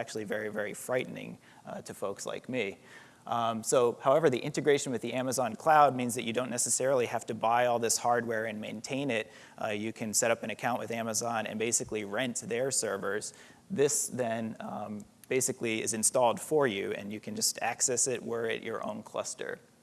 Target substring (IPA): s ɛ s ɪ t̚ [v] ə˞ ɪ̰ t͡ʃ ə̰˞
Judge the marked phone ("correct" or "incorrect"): incorrect